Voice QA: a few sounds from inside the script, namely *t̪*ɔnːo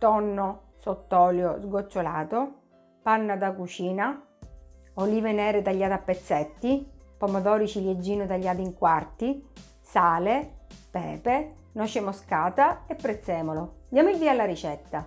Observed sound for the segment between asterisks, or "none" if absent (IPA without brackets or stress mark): t̪